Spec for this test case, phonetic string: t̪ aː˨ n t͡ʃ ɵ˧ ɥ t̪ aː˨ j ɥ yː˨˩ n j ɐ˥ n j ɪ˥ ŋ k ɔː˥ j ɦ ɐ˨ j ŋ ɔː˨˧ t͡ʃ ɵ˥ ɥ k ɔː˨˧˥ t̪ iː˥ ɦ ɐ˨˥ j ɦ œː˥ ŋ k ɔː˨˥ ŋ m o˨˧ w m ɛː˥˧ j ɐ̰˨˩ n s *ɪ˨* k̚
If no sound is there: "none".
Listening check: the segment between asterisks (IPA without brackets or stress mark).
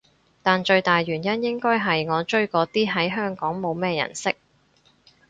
ɪ˥